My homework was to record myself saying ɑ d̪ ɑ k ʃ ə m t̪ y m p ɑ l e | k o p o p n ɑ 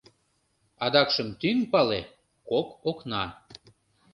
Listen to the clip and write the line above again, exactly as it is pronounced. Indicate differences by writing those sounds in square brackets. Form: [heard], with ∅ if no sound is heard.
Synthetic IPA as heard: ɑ d̪ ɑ k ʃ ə m t̪ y [ŋ] p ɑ l e | k o [k] o [k] n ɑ